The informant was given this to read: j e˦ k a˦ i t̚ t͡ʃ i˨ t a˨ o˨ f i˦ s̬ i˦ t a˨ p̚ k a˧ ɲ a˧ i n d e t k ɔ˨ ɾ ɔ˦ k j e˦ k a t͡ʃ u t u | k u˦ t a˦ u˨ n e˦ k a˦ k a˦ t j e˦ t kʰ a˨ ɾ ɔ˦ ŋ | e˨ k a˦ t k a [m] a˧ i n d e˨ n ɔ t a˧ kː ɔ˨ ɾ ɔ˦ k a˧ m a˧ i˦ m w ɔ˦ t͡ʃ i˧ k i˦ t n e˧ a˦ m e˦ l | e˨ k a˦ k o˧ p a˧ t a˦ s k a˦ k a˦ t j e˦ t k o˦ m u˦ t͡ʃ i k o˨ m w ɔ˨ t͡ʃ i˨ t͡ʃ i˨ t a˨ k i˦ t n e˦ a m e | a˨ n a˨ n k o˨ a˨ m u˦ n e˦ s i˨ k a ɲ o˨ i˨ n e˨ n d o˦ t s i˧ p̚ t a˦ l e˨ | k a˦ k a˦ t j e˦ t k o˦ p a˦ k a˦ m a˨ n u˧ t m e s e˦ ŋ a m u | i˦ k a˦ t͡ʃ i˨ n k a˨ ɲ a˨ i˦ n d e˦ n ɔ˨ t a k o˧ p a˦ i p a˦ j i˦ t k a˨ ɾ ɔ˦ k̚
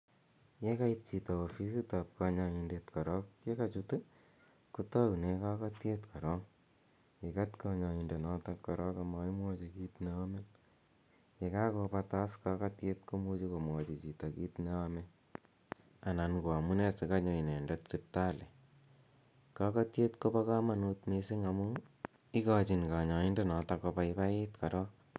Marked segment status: incorrect: ɲ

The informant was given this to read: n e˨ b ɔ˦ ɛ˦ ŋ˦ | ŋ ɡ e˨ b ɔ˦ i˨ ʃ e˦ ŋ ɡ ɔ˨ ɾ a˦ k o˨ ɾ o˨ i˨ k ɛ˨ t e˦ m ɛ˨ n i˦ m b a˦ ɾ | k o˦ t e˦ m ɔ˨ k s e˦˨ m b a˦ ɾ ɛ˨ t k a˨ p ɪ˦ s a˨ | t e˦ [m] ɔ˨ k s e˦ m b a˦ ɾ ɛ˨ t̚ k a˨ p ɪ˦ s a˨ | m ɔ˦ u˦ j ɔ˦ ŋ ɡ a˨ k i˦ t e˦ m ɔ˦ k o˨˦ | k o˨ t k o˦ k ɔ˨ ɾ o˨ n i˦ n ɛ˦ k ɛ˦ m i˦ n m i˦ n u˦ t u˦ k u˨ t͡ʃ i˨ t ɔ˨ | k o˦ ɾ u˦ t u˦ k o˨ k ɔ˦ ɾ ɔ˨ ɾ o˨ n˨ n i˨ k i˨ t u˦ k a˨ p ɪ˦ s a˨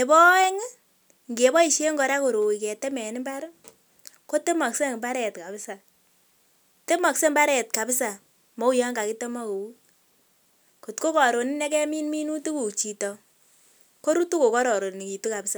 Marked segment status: correct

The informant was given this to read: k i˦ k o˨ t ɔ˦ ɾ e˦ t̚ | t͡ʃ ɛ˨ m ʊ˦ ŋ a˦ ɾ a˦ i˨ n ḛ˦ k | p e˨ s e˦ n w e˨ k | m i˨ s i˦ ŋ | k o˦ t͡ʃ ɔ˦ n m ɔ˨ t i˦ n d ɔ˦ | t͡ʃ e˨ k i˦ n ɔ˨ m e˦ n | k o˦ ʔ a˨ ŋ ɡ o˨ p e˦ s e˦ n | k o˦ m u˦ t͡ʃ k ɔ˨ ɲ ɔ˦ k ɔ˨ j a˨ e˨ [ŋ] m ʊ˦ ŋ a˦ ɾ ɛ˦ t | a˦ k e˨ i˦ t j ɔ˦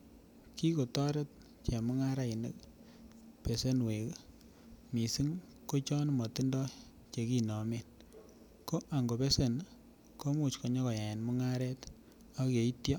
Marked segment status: incorrect: n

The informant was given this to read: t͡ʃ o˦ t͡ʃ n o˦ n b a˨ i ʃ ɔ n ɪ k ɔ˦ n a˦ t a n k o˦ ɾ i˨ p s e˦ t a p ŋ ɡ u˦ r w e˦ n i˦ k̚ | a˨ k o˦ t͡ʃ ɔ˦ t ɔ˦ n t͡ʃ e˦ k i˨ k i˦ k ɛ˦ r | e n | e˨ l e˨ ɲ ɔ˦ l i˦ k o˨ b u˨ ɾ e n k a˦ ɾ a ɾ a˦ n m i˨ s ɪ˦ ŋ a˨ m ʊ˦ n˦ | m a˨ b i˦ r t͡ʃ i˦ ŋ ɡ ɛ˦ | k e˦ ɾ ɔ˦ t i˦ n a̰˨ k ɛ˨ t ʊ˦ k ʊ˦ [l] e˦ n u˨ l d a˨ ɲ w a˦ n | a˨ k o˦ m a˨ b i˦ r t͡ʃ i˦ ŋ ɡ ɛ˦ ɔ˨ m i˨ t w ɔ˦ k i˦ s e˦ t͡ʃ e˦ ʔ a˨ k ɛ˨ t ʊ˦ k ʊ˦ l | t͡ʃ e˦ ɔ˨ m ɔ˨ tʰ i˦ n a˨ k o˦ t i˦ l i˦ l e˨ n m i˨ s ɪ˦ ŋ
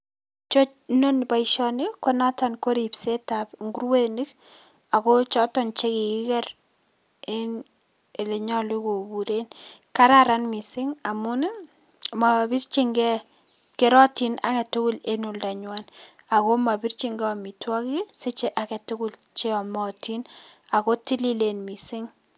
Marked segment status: correct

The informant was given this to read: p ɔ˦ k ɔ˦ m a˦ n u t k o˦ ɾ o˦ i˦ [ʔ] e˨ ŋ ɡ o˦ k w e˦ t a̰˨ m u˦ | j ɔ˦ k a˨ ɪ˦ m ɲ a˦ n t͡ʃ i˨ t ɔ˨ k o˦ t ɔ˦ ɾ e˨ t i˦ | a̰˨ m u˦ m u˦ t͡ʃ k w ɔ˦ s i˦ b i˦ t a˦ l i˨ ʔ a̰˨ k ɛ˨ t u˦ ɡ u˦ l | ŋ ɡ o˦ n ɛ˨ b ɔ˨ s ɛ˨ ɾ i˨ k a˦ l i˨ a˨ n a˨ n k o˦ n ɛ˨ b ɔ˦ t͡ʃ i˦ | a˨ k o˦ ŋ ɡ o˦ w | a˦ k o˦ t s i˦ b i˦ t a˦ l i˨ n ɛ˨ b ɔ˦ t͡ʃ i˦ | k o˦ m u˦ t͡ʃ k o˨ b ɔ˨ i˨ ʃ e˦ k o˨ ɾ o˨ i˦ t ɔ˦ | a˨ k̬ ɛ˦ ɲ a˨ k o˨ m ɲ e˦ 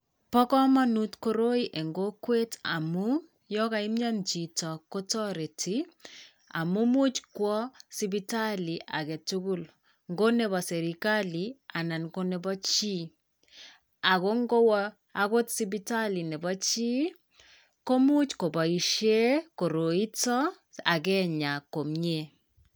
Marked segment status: correct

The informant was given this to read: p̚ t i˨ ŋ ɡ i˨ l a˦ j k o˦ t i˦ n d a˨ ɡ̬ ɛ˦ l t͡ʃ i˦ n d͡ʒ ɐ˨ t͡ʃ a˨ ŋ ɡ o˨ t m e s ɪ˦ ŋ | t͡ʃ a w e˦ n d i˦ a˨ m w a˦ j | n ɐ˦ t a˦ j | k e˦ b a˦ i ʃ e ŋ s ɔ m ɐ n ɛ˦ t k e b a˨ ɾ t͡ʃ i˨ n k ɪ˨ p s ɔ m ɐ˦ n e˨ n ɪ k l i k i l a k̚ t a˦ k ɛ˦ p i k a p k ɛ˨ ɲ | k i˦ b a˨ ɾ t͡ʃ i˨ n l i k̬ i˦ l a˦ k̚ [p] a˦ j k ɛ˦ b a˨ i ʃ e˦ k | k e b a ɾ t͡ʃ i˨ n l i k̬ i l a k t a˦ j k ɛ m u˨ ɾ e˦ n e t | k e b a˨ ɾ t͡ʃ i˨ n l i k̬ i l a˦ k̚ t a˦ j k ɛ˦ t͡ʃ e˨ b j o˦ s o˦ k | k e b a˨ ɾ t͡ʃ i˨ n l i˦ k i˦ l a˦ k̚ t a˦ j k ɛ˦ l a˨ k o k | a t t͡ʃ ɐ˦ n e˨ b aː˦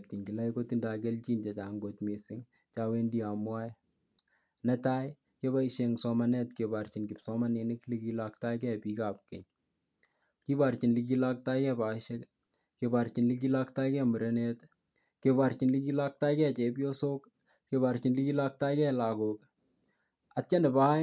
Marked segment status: incorrect: t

